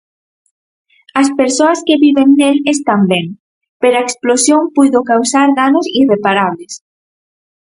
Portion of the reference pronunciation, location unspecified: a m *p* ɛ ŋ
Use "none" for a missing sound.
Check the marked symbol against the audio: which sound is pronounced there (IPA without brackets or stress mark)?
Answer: b